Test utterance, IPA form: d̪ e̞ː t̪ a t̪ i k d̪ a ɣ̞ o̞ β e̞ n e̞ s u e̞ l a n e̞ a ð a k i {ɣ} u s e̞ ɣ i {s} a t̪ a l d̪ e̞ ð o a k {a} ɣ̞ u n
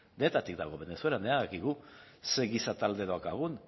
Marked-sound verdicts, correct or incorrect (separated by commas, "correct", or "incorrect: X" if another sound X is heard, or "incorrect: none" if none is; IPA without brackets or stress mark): correct, correct, correct